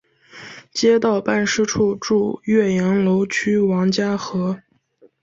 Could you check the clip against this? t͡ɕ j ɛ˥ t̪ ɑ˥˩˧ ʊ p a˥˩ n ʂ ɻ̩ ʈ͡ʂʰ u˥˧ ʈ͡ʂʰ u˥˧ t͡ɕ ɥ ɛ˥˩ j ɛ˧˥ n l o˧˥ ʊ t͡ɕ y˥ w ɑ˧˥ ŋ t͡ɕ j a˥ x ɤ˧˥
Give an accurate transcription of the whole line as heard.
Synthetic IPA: t͡ɕ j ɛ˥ t̪ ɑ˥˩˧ ʊ p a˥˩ n ʂ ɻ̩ ʈ͡ʂʰ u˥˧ ʈ͡ʂ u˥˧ ɥ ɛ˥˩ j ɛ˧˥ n l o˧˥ ʊ t͡ɕʰ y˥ w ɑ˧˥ ŋ t͡ɕ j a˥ x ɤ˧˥

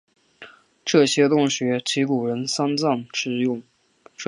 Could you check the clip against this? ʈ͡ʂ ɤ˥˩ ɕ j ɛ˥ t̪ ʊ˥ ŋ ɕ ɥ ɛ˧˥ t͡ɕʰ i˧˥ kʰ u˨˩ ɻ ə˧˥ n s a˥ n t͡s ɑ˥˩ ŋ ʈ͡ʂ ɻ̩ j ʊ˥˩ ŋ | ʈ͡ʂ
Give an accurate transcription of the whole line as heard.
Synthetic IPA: ʈ͡ʂ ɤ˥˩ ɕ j ɛ˥ t̪ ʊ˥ ŋ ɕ ɥ ɛ˧˥ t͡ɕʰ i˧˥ k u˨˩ ɻ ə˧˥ n s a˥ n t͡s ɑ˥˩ ŋ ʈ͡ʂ ɻ̩ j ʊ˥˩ ŋ | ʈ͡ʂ

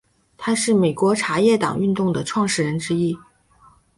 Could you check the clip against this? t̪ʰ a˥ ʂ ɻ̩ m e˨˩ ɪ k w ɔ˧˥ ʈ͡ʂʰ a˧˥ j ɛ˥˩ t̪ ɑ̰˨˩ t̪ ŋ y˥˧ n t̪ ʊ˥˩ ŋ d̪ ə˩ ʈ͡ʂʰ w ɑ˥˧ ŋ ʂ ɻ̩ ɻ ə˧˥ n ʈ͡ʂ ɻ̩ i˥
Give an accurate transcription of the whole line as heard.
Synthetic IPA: t̪ʰ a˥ ʂ ɻ̩ m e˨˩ ɪ k w ɔ˧˥ ʈ͡ʂʰ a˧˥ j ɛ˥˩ t̪ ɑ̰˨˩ ŋ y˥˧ n t̪ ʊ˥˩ ŋ d̪ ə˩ ʈ͡ʂʰ w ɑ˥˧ ŋ ʂ ɻ̩ ɻ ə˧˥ n ʈ͡ʂ ɻ̩ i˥

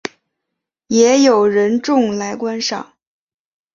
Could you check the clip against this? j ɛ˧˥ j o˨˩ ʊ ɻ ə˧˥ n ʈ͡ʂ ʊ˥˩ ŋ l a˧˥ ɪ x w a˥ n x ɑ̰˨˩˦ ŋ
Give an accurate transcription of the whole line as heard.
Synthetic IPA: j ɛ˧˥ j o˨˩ ʊ ɻ ə˧˥ n ʈ͡ʂ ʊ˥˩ ŋ l a˧˥ ɪ k w a˥ n ʂ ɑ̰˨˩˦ ŋ

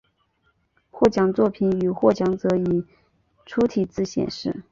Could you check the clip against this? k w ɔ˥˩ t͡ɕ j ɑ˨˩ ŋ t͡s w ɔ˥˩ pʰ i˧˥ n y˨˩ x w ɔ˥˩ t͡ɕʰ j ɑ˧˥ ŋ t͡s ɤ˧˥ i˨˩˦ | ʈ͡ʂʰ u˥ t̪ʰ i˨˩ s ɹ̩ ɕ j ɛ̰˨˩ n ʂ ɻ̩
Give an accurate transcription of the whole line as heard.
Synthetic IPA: x w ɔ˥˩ t͡ɕ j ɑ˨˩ ŋ t͡s w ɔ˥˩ pʰ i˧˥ n y˨˩ x w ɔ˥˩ t͡ɕ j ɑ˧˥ ŋ t͡s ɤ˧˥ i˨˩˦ | ʈ͡ʂʰ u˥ t̪ʰ i˨˩ t͡s ɹ̩ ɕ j ɛ̰˨˩ n ʂ ɻ̩

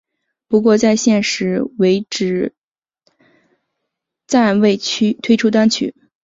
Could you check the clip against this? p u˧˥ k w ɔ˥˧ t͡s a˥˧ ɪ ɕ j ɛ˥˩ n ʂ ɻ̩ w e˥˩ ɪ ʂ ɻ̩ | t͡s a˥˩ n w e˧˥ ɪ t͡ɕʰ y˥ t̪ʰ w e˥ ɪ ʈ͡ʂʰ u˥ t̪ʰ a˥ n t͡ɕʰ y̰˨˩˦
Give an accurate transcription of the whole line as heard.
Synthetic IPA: p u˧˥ k w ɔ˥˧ t͡s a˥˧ ɪ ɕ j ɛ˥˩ n ʂ ɻ̩ w e˧˥ ɪ ʈ͡ʂ ɻ̩ | t͡s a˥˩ n w e˥˩ ɪ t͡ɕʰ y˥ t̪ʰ w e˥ ɪ ʈ͡ʂʰ u˥ t̪ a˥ n t͡ɕʰ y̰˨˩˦

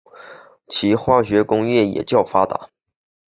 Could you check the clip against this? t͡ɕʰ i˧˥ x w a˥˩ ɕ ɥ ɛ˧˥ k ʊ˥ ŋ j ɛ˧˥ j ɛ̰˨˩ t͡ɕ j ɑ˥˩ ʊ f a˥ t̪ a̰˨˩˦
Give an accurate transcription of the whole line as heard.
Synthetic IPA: t͡ɕʰ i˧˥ x w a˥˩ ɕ ɥ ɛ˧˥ k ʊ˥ ŋ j ɛ˥˩ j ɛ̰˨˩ t͡ɕ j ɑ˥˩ ʊ f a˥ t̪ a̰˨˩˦

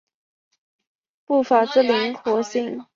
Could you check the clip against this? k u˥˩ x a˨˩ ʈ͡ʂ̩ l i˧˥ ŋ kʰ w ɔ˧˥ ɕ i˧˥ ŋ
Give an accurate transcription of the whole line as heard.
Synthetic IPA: p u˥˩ f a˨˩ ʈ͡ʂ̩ l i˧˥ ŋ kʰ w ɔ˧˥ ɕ i˥˩ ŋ

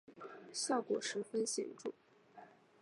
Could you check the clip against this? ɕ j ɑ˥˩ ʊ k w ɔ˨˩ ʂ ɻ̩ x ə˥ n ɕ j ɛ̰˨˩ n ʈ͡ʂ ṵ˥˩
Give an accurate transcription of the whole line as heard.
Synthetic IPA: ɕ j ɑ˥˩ ʊ k w ɔ˨˩ ʂ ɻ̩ f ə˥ n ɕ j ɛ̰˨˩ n ʈ͡ʂ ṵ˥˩

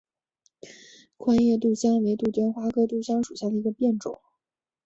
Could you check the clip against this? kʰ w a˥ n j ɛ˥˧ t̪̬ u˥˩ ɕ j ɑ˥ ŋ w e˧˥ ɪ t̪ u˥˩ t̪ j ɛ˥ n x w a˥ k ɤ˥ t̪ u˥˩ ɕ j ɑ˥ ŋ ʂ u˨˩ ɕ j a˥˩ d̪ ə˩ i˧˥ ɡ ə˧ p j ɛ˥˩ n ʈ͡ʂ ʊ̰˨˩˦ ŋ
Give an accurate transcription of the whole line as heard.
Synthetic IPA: kʰ w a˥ n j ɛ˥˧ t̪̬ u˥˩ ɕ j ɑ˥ ŋ w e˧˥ ɪ t̪ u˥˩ t̪ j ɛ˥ n x w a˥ k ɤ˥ t̪ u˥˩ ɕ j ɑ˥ ŋ ʂ u˨˩ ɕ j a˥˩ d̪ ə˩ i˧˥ ɡ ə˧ p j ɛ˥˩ n ʈ͡ʂ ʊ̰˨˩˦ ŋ

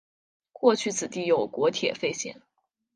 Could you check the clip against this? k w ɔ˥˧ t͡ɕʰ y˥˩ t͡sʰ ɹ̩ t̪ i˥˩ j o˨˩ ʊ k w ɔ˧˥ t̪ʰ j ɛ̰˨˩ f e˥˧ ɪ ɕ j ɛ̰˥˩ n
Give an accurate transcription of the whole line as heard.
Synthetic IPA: k w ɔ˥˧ t͡ɕʰ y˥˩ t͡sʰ ɹ̩ t̪ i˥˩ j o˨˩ ʊ k w ɔ˧˥ t̪ʰ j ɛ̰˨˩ f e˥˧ ɪ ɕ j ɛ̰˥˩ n

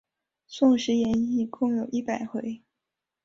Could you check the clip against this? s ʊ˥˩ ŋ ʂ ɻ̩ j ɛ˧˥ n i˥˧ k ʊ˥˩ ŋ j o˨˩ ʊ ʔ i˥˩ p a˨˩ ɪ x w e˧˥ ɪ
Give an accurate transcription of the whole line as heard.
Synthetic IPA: s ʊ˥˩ ŋ ʂ ɻ̩ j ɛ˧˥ n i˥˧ k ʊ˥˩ ŋ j o˨˩ ʊ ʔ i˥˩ p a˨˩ ɪ x w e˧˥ ɪ

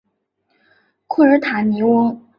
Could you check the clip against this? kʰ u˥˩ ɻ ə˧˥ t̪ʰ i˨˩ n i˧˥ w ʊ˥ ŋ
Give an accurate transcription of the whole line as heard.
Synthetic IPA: kʰ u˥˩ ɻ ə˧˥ t̪ʰ a˨˩ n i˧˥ w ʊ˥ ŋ

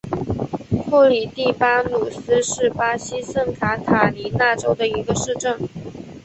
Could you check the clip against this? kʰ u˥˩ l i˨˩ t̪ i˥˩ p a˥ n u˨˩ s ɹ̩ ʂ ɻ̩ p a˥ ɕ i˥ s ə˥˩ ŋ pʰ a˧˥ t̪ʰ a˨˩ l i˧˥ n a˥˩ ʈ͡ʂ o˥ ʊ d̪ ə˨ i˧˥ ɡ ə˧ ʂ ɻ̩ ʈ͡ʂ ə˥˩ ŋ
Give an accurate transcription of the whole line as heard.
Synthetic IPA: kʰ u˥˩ l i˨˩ t̪ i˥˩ p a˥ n u˨˩ s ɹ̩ ʂ ɻ̩ p a˥ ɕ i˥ s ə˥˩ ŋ kʰ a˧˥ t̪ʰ a˨˩ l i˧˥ n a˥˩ ʈ͡ʂ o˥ ʊ d̪ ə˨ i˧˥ ɡ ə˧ ʂ ɻ̩ ʈ͡ʂ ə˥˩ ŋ

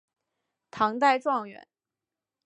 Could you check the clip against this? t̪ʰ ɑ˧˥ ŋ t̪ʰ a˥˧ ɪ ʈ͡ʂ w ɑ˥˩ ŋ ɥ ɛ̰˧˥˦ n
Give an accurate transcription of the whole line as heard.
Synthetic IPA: t̪ʰ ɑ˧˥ ŋ t̪ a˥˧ ɪ ʈ͡ʂ w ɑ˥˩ ŋ ɥ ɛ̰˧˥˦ n

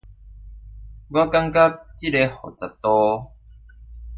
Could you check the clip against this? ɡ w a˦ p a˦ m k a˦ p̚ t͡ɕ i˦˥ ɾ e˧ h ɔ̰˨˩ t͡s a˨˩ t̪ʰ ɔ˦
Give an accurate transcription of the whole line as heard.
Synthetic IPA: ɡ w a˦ k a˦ ŋ k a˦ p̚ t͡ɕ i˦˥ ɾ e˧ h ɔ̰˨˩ t͡s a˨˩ t̪ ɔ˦

